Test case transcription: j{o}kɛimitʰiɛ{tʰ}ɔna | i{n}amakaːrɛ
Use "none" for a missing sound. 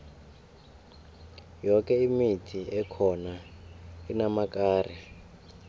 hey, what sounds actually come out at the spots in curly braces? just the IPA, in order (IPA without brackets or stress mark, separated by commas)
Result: ɔ, kʰ, n